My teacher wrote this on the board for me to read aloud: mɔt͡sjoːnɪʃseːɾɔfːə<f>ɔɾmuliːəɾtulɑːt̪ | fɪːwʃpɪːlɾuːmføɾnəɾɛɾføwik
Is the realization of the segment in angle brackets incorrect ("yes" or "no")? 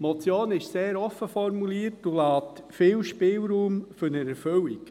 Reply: no